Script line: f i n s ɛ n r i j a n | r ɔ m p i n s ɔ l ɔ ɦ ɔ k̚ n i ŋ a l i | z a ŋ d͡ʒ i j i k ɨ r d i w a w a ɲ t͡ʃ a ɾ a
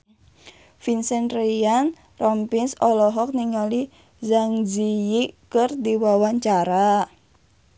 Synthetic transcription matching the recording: f i n s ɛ n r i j a n | r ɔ m p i n s ɔ l ɔ ɦ ɔ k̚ n i ŋ a l i | z a ŋ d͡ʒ i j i k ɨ r d i w a w a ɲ t͡ʃ a ɾ a